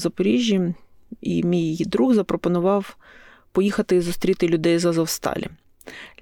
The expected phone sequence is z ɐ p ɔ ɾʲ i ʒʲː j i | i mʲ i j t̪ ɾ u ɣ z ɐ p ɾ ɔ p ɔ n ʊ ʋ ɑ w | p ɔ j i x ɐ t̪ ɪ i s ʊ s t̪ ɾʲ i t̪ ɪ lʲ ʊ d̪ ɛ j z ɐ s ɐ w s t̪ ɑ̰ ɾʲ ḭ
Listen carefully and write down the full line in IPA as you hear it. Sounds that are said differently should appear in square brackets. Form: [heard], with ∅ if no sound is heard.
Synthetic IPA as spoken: z ɐ p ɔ ɾʲ i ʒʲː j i | i mʲ i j [d̪] ɾ u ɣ z ɐ p ɾ ɔ p ɔ n ʊ ʋ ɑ w | p ɔ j i x ɐ t̪ ɪ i [z] ʊ s t̪ ɾʲ i t̪ ɪ lʲ ʊ d̪ ɛ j z ɐ [z] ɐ w s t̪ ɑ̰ [lʲ] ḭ